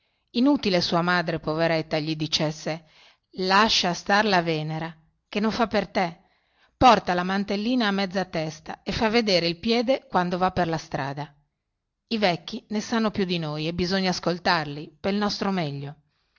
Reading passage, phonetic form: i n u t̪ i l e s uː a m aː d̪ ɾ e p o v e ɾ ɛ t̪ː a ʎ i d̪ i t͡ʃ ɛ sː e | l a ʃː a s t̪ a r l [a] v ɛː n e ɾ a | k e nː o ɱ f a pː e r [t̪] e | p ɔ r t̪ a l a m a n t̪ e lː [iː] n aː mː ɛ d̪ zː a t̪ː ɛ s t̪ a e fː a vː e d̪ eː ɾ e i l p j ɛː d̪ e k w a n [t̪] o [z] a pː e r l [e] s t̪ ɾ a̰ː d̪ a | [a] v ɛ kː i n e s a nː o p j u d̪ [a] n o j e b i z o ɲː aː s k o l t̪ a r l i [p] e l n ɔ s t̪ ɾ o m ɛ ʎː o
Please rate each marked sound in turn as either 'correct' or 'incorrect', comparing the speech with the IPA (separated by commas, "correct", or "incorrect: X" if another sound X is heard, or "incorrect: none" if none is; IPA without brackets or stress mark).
correct, correct, correct, incorrect: d̪, incorrect: v, incorrect: a, incorrect: i, incorrect: i, correct